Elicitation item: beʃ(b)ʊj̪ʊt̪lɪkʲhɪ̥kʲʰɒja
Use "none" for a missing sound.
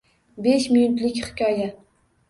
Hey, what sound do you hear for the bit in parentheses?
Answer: m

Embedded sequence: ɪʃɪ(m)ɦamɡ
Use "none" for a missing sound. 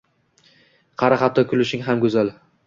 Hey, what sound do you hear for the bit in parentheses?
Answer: ŋ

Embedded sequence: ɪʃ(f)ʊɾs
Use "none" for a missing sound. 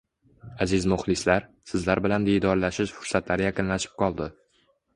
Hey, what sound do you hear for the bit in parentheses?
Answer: f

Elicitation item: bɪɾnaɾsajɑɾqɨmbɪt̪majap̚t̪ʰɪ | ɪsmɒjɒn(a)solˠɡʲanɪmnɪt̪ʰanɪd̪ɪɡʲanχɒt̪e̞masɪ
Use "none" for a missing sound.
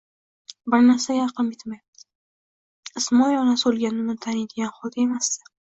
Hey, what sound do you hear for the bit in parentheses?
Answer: a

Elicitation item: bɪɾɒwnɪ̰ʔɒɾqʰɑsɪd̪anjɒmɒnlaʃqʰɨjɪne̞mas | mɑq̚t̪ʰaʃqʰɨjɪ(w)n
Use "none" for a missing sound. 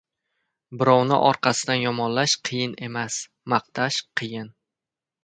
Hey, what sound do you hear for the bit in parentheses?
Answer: none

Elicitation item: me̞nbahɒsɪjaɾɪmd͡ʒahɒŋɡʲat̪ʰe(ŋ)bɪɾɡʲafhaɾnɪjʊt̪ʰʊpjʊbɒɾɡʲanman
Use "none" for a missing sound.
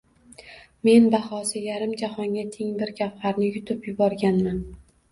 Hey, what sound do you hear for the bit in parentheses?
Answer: ŋ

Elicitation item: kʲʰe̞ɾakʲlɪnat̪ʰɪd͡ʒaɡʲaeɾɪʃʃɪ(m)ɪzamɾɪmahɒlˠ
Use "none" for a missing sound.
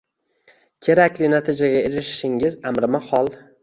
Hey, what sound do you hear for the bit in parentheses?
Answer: ŋ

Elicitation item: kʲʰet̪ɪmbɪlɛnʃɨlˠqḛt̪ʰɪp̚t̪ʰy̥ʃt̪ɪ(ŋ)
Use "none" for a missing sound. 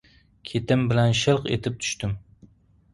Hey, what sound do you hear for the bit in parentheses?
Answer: m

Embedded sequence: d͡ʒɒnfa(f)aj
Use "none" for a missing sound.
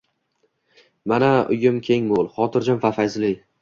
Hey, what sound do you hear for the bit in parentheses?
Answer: f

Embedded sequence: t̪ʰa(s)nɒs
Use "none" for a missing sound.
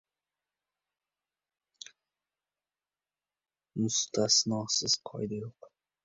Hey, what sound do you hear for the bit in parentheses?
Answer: s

